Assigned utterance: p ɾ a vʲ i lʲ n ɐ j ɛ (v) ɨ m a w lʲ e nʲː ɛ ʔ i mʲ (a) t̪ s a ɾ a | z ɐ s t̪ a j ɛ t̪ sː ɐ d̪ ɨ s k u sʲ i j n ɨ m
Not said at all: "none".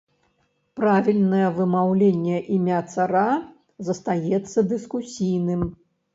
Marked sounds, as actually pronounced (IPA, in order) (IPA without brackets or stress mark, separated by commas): v, a